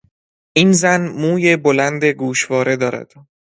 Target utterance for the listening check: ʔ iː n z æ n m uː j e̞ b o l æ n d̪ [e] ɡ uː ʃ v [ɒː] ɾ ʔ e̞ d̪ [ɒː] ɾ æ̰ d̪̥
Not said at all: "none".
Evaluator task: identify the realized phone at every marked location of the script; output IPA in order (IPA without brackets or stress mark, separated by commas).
e, ɒː, ɒː